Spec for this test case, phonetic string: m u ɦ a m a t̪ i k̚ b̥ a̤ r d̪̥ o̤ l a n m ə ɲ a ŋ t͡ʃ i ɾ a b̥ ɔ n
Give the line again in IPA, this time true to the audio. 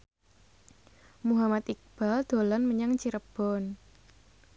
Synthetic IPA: m u ɦ a m a t̪ i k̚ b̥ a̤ l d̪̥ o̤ l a n m ə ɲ a ŋ t͡ʃ i ɾ ə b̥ ɔ n

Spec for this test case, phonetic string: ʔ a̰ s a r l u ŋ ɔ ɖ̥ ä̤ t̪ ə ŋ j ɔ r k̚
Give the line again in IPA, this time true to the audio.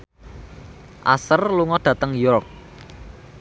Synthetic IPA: ʔ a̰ s ə r l u ŋ ɔ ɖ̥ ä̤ t̪ ə ŋ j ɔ r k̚

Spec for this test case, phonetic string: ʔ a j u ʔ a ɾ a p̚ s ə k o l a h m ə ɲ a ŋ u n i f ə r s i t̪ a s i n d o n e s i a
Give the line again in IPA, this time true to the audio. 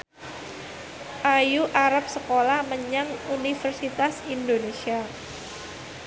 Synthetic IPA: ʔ a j u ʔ a ɾ a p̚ s ə k o l a h m ə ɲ a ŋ u n i f ə r s i t̪ a s i n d o n e s i a

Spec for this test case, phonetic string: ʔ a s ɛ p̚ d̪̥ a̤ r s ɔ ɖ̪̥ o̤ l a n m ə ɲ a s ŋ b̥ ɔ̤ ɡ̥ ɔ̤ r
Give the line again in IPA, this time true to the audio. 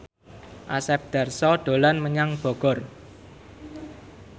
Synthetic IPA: ʔ a s ɛ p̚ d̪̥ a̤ r s ɔ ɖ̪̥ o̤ l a n m ə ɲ a ŋ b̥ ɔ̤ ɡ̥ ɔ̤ r

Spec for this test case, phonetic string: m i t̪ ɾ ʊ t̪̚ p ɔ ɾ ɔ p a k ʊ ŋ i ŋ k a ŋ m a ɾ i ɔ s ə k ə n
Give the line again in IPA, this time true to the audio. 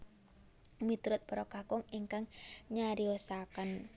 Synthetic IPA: m i t̪ ɾ ʊ t̪̚ p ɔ ɾ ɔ k a k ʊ ŋ i ŋ k a ŋ ɲ a ɾ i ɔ s a k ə n

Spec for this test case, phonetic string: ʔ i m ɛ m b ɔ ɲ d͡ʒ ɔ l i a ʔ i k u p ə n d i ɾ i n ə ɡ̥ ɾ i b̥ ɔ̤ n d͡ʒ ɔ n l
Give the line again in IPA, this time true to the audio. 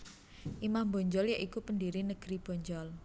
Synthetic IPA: ʔ i m a m b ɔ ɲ d͡ʒ ɔ l j a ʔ i k u p ə n d i ɾ i n ə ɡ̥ ɾ i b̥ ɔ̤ ɲ d͡ʒ ɔ l

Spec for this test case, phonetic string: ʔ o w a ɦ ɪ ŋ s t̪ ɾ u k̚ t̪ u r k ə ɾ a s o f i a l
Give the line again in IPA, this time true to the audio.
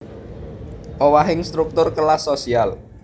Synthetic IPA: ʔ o w a ɦ ɪ ŋ s t̪ ɾ u k̚ t̪ ʊ r k ə l a s o s i a l

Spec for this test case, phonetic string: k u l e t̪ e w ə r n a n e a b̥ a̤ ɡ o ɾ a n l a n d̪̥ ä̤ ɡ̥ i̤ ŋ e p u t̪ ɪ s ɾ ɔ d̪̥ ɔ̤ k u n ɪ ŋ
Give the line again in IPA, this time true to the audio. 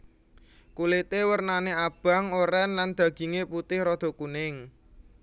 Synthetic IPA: k u l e t̪ e w ə r n a n e a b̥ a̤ ŋ o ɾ ɛ n l a n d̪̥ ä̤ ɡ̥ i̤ ŋ e p u t̪ ɪ h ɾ ɔ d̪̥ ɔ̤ k u n ɪ ŋ

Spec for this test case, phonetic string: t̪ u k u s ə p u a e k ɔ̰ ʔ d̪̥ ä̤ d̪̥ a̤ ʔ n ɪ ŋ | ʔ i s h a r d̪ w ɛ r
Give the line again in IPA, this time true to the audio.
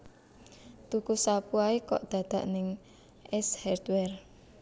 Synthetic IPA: t̪ u k u s a p u a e k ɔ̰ ʔ d̪̥ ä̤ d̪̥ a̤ ʔ n ɪ ŋ | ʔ ɛ s h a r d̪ w ɛ r

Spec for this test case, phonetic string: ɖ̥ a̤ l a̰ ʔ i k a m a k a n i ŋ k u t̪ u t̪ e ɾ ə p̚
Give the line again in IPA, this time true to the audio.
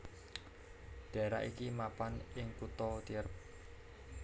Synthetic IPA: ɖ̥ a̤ ɾ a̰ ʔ i k i m a p a n ɪ ŋ k u t̪ ɔ t̪ i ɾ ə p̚

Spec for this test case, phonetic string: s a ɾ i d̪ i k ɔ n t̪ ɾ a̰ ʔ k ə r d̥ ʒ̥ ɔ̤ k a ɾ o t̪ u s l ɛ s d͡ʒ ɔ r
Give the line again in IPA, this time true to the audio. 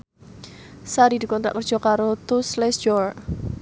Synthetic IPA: s a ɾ i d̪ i k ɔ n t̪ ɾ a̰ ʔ k ə r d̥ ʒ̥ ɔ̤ k a ɾ o t̪ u s l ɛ s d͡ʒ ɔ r

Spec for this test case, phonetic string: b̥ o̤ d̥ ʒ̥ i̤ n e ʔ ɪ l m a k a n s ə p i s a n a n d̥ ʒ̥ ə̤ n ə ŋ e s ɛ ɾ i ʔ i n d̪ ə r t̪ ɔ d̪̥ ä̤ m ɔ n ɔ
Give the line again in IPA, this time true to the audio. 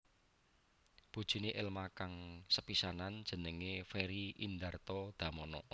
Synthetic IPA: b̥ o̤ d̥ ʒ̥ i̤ n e ʔ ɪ l m a k a ŋ s ə p i s a n a n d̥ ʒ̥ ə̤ n ə ŋ e f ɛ ɾ i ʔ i n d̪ a r t̪ ɔ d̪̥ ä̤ m ɔ n ɔ

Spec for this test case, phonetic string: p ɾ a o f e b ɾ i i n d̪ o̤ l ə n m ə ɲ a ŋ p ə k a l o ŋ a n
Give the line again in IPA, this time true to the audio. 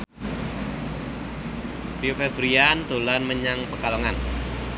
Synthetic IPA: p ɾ i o f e b ɾ i a n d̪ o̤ l a n m ə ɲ a ŋ p ə k a l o ŋ a n

